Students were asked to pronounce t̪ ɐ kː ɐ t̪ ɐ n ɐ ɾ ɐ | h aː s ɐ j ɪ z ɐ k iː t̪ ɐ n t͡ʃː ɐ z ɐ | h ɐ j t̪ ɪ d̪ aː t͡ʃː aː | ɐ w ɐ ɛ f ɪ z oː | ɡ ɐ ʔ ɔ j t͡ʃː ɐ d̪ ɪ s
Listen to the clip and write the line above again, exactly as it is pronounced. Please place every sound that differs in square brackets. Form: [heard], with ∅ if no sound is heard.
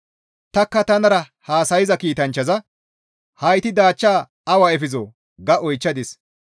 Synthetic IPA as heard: t̪ ɐ kː ɐ t̪ ɐ n ɐ ɾ ɐ | h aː s ɐ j ɪ z ɐ k iː t̪ ɐ n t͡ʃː ɐ z ɐ | h ɐ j t̪ ɪ d̪ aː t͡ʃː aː | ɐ w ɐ ɛ f ɪ z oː | ɡ ɐ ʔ ɔ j t͡ʃː ɐ d̪ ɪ s

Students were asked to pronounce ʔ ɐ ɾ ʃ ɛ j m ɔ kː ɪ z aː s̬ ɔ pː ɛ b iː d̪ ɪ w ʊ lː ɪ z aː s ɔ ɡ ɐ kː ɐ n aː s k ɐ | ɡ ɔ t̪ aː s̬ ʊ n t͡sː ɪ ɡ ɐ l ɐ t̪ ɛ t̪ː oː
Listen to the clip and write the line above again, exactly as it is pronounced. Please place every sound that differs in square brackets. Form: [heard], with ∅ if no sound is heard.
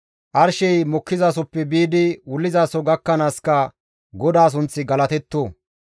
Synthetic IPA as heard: ʔ ɐ ɾ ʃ ɛ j m ɔ kː ɪ z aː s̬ ɔ pː ɛ b iː d̪ ɪ w ʊ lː ɪ z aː s ɔ ɡ ɐ kː ɐ n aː s k ɐ | ɡ ɔ [d̪] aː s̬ ʊ n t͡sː ɪ ɡ ɐ l ɐ t̪ ɛ t̪ː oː

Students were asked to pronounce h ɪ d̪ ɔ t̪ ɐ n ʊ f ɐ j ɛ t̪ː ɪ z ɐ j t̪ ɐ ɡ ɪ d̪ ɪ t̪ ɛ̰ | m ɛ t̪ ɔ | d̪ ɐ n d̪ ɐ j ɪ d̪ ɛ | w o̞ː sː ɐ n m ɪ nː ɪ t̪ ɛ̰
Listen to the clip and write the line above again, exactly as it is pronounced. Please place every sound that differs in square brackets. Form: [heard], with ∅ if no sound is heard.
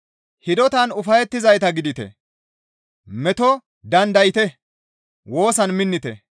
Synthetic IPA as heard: h ɪ d̪ ɔ t̪ ɐ n ʊ f ɐ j ɛ t̪ː ɪ z ɐ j t̪ ɐ ɡ ɪ d̪ ɪ t̪ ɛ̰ | m ɛ t̪ ɔ | d̪ ɐ n d̪ ɐ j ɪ [t̪] ɛ | w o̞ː [s] ɐ n m ɪ nː ɪ t̪ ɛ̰

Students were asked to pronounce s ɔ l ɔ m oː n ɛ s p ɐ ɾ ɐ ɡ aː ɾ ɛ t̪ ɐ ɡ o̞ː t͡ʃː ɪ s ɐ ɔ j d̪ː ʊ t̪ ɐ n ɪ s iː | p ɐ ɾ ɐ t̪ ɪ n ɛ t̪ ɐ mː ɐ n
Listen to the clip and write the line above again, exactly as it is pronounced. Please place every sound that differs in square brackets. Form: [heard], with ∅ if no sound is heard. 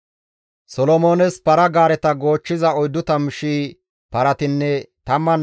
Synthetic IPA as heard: s ɔ l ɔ m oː n ɛ s p ɐ ɾ ɐ ɡ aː ɾ ɛ t̪ ɐ ɡ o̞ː t͡ʃː ɪ [z] ɐ ɔ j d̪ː ʊ t̪ ɐ [m] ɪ [ʃ] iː | p ɐ ɾ ɐ t̪ ɪ [nː] ɛ t̪ ɐ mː ɐ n

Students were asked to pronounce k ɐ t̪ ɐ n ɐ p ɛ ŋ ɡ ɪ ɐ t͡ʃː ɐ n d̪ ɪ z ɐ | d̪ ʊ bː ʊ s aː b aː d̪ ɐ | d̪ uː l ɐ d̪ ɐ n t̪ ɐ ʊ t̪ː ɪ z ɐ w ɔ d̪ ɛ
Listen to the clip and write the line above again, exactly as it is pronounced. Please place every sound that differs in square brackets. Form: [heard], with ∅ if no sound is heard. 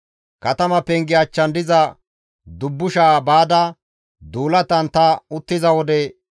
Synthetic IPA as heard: k ɐ t̪ ɐ [m] ɐ p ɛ ŋ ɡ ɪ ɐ t͡ʃː ɐ n d̪ ɪ z ɐ | d̪ ʊ bː ʊ [ʃ] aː b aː d̪ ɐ | d̪ uː l ɐ [t̪] ɐ n t̪ ɐ ʊ t̪ː ɪ z ɐ w ɔ d̪ ɛ

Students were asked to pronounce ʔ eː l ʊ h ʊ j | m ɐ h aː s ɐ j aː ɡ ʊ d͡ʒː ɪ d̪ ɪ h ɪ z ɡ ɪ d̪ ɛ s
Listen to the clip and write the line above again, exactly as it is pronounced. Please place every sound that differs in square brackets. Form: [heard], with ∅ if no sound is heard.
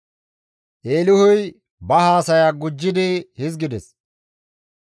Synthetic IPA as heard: ʔ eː l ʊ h ʊ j | [b] ɐ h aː s ɐ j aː ɡ ʊ d͡ʒː ɪ d̪ ɪ h ɪ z ɡ ɪ d̪ ɛ s

